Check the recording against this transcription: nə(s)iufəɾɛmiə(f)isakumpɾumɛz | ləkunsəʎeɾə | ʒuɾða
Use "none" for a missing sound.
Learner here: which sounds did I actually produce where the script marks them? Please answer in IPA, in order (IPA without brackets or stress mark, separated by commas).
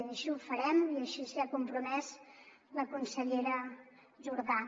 ʃ, ʃ